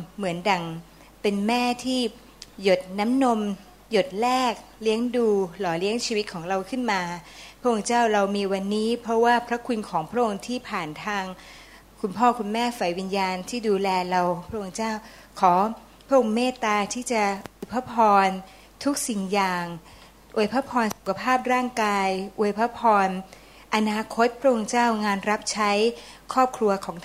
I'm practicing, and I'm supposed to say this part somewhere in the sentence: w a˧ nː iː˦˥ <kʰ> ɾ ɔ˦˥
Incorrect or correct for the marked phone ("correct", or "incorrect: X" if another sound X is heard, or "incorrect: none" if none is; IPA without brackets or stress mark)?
incorrect: pʰ